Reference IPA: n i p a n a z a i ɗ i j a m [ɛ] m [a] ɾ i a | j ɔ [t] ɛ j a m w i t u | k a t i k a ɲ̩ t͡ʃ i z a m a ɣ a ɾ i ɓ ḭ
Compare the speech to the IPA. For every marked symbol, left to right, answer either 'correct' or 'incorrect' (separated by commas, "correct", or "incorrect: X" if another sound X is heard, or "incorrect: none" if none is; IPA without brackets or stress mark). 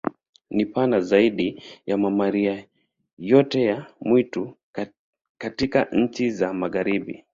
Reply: incorrect: a, correct, correct